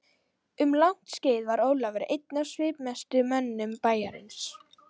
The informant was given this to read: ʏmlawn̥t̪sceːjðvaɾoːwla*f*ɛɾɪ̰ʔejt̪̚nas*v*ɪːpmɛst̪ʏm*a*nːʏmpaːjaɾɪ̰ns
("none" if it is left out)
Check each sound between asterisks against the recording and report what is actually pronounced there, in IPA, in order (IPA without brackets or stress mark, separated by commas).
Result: v, v, ɛ